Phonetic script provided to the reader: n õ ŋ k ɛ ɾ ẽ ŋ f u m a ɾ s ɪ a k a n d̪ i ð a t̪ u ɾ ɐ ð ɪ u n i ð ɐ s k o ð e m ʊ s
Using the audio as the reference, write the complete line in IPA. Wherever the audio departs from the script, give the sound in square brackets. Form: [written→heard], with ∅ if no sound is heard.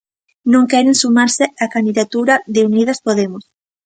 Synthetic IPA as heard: n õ ŋ k ɛ ɾ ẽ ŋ [f→s] u m a ɾ s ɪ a k a n d̪ i ð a t̪ u ɾ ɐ ð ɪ u n i ð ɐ s [k→p] o ð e m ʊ s